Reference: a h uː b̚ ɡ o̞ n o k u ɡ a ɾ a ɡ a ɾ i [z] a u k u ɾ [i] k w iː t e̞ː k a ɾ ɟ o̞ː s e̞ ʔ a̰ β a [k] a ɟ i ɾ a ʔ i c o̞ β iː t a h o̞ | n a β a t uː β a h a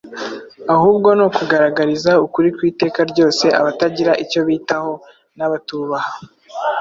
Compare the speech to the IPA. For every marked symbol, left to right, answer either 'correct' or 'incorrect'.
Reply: correct, correct, incorrect

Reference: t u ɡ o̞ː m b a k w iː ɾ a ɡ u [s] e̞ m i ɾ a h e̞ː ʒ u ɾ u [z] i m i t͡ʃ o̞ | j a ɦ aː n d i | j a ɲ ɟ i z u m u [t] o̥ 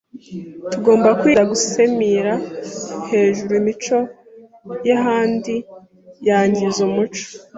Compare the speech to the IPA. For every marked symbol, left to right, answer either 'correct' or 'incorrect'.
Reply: correct, incorrect, incorrect

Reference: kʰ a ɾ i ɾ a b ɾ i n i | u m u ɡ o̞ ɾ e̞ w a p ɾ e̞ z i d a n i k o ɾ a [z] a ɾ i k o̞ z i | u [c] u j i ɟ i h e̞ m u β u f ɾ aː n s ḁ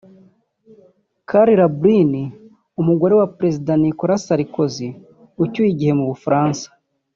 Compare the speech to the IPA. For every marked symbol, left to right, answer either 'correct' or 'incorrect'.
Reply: incorrect, correct

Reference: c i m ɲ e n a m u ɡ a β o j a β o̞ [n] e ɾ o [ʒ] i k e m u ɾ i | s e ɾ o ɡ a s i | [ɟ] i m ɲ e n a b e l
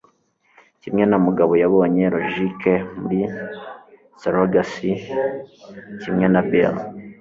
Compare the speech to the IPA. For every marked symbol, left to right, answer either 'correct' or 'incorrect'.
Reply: incorrect, correct, incorrect

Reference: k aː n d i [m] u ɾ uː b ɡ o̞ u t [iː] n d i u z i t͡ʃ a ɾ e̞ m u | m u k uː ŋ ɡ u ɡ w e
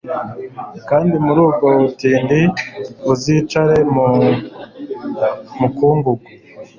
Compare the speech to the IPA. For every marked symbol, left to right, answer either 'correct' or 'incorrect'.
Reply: correct, correct

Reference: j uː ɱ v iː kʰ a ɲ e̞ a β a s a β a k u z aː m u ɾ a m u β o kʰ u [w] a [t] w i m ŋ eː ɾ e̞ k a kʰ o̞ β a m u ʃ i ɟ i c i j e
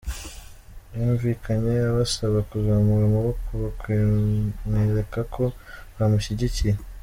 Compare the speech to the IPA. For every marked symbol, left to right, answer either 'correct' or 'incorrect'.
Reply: incorrect, incorrect

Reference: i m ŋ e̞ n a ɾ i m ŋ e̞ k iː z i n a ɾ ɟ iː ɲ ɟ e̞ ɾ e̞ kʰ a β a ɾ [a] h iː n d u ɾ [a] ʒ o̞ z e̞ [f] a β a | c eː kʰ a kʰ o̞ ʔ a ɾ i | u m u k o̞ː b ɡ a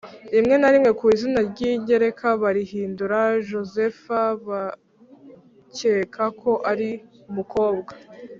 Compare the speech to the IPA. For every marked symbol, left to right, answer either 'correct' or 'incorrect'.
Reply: incorrect, correct, correct

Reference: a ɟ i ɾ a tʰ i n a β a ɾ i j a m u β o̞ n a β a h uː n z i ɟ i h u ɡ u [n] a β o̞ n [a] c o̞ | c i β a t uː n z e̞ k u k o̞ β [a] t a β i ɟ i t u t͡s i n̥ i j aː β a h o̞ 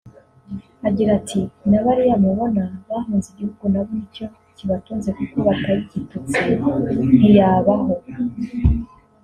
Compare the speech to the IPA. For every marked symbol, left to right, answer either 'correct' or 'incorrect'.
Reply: correct, incorrect, correct

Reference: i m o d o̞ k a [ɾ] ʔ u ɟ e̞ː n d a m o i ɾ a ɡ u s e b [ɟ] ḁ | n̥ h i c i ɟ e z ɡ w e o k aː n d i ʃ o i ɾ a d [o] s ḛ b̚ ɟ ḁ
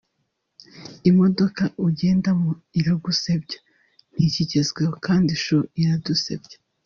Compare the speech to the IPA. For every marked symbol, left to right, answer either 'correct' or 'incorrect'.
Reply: incorrect, correct, incorrect

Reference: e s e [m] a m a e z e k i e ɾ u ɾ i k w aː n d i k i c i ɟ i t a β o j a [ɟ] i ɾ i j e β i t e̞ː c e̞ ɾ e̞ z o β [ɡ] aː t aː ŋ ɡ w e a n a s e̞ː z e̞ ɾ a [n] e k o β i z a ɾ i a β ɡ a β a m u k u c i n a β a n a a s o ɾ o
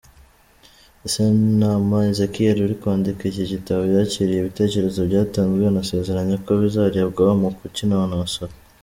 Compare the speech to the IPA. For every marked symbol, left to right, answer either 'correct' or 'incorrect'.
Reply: incorrect, incorrect, incorrect, incorrect

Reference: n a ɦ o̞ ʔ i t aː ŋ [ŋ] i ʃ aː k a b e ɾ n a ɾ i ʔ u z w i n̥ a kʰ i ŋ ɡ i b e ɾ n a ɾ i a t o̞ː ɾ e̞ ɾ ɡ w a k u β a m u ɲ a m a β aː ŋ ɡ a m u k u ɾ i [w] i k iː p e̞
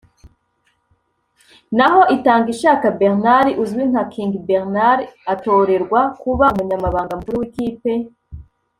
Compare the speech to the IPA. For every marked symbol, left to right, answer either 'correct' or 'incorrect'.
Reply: incorrect, correct

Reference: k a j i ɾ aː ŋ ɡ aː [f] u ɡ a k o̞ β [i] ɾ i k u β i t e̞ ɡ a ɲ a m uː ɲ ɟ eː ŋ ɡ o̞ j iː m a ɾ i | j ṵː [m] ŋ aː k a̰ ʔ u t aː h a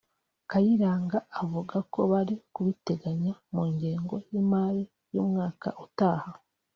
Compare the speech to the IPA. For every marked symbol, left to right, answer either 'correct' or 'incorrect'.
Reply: incorrect, incorrect, correct

